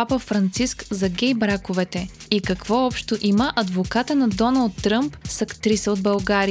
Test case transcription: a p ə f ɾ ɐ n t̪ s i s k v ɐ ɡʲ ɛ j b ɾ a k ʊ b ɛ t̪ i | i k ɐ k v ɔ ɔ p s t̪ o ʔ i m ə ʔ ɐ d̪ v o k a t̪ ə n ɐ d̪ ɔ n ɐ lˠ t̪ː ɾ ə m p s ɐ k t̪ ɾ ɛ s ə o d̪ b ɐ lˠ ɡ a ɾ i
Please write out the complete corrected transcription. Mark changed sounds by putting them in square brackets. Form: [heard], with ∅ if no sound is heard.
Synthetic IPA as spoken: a p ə f ɾ ɐ n t̪ s i s k [z] ɐ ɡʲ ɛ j b ɾ a k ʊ [v] ɛ t̪ [ɛ] | i k ɐ k v ɔ ɔ p [ʃ] t̪ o ʔ i m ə ʔ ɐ d̪ v o k a t̪ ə n ɐ d̪ ɔ n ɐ lˠ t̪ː ɾ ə m p s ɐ k t̪ ɾ [i] s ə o d̪ b ɐ lˠ ɡ a ɾ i